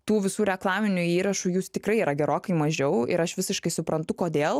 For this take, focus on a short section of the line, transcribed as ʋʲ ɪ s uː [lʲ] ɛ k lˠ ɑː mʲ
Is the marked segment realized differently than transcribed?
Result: yes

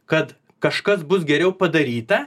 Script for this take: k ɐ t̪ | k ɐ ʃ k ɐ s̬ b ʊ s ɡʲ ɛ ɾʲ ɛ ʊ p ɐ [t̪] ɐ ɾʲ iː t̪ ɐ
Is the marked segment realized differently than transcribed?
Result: yes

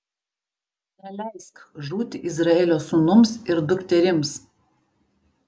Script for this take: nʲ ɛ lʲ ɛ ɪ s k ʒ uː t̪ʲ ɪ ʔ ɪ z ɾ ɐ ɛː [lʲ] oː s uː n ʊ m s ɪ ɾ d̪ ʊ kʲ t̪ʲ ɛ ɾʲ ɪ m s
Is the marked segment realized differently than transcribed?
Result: no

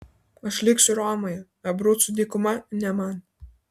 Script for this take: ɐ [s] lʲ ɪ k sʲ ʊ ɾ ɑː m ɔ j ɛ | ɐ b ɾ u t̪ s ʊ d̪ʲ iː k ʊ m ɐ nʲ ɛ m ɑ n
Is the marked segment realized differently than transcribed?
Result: yes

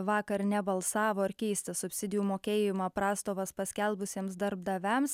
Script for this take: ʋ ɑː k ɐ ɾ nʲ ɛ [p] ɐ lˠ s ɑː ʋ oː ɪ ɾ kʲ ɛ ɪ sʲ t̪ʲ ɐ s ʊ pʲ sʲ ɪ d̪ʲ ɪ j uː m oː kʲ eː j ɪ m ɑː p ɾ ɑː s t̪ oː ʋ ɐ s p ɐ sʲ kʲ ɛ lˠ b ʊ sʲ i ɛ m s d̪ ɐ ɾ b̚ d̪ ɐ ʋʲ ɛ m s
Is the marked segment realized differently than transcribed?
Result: yes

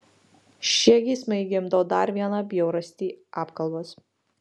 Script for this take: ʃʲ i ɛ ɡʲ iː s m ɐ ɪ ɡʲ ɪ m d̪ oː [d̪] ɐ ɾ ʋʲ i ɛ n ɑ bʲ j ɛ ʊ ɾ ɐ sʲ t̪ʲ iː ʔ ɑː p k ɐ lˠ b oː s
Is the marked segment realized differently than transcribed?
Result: no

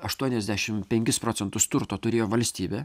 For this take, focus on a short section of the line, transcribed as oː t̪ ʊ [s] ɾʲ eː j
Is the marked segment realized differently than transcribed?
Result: yes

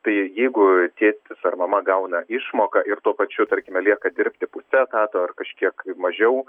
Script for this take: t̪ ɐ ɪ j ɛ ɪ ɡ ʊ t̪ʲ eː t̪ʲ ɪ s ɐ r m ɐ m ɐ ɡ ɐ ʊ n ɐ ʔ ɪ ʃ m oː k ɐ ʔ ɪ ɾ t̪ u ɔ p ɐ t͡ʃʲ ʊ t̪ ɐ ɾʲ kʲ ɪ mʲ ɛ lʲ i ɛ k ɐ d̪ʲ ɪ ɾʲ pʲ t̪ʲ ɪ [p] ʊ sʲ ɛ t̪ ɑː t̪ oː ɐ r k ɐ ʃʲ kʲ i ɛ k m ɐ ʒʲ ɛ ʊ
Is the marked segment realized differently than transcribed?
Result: no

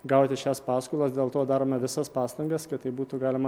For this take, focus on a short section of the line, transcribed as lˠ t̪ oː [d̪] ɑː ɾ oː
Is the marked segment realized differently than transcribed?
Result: no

